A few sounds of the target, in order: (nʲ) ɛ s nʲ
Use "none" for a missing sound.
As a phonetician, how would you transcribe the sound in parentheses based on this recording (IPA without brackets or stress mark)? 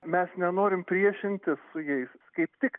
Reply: mʲ